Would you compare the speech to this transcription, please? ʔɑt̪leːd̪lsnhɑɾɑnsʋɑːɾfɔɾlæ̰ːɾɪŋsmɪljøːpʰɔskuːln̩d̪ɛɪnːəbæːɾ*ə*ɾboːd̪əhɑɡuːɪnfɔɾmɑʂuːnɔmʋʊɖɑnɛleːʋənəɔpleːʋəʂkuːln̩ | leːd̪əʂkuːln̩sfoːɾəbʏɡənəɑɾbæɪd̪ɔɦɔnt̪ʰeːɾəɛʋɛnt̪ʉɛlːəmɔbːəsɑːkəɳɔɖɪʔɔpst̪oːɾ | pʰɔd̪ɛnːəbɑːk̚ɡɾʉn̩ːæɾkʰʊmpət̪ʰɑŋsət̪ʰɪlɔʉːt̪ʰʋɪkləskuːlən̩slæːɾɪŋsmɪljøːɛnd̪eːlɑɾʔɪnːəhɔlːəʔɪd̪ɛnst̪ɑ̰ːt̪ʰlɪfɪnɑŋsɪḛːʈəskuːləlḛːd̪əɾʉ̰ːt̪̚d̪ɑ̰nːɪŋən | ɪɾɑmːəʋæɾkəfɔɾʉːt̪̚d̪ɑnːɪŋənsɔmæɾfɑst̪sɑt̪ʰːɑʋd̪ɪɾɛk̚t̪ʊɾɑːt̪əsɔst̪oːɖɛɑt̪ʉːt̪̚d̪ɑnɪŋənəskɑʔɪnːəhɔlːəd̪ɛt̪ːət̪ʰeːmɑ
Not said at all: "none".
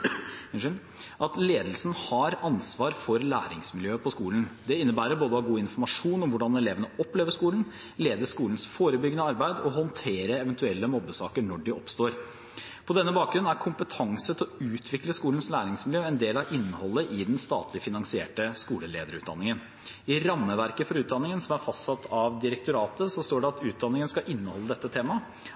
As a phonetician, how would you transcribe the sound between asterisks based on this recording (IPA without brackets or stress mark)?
ə